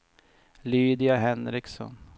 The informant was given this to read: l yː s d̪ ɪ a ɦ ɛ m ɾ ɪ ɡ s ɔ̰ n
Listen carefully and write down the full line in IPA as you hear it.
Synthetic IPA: l yː d̪ ɪ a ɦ ɛ n ɾ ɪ k s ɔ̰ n